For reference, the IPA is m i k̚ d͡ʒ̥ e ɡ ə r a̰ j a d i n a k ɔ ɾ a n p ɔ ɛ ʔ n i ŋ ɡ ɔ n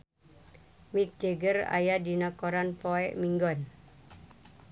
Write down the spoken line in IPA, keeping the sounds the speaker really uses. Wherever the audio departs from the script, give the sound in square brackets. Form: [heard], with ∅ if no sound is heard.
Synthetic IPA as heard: m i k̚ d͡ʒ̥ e ɡ ə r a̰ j a d i n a k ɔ ɾ a n p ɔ ɛ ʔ [m] i ŋ ɡ ɔ n